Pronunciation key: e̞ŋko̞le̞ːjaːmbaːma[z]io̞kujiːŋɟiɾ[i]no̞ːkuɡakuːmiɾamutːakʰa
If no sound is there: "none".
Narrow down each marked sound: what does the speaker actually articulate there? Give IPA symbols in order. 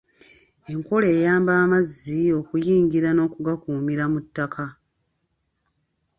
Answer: zː, a

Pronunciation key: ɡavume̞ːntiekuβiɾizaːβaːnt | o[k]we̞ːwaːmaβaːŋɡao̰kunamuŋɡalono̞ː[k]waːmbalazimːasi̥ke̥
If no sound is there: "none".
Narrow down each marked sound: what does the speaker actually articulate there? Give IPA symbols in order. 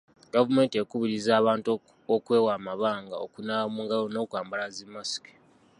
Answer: k, k

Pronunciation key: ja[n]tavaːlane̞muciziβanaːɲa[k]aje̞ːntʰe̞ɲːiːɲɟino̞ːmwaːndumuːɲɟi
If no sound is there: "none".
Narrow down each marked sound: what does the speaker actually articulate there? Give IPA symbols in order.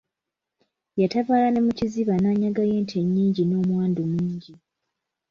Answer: none, ɡ

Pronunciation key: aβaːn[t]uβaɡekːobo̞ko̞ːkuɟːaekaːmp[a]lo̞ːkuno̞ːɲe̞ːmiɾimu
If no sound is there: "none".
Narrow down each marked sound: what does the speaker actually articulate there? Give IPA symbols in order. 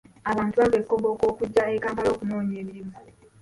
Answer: t, a

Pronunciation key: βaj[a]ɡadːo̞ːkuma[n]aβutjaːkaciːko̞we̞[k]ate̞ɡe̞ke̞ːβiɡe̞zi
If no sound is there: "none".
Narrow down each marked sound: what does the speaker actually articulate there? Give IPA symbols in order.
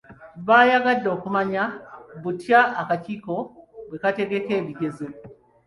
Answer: a, ɲ, k

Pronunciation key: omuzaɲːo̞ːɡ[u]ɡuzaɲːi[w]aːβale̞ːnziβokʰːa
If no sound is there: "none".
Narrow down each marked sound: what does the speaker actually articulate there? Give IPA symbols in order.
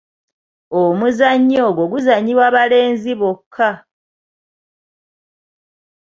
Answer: o, w

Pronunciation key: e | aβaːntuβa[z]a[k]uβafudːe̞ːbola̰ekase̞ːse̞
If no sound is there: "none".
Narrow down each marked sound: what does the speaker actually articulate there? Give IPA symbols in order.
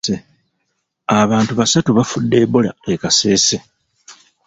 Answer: s, t

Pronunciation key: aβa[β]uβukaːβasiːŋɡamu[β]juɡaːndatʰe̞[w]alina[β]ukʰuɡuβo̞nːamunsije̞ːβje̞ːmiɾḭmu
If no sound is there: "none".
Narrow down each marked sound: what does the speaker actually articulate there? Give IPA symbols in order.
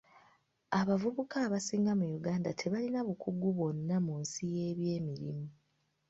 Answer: v, none, β, β

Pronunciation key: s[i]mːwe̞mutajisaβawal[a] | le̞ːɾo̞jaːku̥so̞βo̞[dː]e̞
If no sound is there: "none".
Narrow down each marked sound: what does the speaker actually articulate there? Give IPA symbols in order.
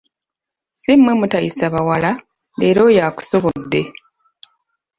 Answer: i, a, dː

